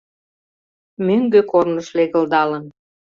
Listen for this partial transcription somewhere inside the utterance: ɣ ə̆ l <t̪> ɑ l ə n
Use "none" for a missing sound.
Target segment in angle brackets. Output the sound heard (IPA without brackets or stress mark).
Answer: d̪